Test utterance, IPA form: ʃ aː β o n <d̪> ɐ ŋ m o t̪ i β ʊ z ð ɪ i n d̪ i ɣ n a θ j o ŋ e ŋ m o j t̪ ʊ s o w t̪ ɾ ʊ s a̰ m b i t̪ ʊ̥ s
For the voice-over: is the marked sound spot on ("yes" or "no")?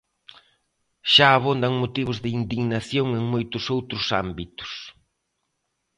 yes